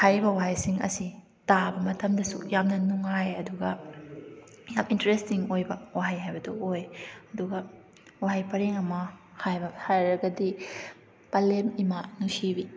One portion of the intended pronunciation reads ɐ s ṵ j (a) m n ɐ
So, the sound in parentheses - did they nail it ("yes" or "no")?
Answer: yes